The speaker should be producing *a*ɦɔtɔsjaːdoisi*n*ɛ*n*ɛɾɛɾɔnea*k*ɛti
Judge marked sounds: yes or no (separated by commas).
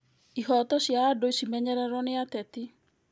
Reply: no, no, no, no